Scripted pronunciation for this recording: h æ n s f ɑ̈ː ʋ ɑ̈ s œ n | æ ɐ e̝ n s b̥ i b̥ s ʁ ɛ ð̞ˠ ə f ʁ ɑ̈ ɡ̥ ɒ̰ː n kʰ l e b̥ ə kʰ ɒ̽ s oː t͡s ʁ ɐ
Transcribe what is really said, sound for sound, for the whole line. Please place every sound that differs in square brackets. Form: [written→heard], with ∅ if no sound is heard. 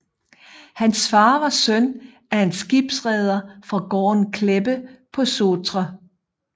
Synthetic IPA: h æ n s f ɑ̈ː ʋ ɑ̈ s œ n | æ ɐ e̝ n s [b̥→ɡ̥] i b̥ s ʁ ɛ ð̞ˠ [ə→ɐ] f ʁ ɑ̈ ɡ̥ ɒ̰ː n kʰ l e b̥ ə [kʰ→pʰ] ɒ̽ s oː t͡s ʁ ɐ